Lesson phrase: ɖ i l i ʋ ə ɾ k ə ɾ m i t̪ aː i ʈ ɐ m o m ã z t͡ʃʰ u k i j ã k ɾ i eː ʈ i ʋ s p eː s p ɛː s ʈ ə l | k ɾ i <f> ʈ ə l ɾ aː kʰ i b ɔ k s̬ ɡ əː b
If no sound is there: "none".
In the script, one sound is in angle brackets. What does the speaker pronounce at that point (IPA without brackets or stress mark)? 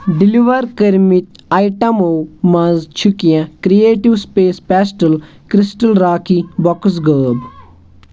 s